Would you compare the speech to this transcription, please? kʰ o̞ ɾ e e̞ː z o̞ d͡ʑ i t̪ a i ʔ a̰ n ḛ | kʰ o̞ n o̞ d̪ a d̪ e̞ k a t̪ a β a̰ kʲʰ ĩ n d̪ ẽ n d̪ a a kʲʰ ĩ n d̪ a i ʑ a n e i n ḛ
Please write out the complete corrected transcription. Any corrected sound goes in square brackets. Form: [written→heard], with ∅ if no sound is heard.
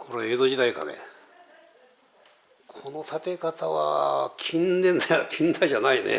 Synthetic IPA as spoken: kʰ o̞ ɾ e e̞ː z o̞ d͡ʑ i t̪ a i [ʔ→k] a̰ n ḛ | kʰ o̞ n o̞ [d̪→t̪] a [d̪→t̪] e̞ k a t̪ a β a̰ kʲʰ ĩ n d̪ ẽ n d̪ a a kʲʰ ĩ n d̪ a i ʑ a n [e→a] i n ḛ